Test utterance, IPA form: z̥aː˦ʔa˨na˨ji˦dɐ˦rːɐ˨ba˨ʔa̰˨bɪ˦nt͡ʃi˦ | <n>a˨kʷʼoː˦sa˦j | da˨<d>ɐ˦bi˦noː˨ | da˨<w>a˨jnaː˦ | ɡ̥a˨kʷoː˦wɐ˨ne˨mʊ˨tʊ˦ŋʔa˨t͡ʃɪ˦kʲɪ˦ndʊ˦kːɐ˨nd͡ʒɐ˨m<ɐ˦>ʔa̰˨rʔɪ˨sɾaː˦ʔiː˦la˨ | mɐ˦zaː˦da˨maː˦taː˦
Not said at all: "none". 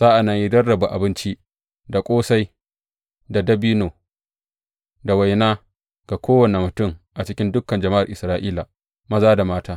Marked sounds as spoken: d, d, w, a˦

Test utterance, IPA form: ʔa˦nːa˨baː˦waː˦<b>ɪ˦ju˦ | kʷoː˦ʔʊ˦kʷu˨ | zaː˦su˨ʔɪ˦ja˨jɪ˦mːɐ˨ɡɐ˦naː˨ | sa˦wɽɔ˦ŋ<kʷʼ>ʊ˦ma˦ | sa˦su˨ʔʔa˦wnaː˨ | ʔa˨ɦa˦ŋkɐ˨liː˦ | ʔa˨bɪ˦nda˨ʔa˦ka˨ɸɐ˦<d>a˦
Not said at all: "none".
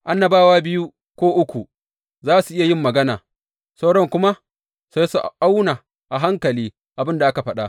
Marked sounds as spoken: b, kʷ, ɗ

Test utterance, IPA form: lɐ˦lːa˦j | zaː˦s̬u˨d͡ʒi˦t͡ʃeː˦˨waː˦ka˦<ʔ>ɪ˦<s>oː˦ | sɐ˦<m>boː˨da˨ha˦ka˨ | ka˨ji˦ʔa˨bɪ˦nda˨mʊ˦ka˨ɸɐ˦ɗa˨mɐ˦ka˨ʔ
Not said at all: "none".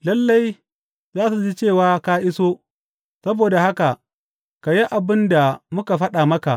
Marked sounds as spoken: ʔ, s, none

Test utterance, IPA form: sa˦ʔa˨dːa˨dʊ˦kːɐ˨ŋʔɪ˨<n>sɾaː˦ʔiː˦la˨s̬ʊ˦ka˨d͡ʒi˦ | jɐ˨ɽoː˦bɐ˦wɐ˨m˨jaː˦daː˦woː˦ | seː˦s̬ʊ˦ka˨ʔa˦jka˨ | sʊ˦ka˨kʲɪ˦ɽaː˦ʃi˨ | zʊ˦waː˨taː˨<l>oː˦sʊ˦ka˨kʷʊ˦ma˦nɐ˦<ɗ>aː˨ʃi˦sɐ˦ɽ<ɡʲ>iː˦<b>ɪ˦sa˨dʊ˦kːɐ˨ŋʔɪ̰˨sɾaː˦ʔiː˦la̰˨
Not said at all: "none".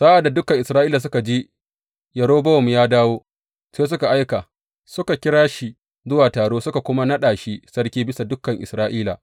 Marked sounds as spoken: none, ɽ, ɗ, kʲ, b

